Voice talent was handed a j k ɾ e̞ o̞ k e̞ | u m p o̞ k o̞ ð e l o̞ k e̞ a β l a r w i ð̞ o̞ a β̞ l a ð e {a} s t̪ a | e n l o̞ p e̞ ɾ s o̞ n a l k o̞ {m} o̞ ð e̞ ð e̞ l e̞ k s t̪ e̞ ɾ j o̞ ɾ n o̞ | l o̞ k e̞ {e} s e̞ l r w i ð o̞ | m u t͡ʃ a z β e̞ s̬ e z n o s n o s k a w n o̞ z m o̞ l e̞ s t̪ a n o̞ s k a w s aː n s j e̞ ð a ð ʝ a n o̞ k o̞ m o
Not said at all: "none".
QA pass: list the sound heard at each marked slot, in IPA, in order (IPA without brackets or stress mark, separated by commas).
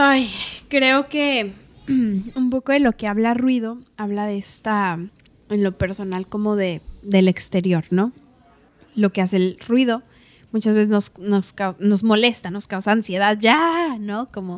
e, m, a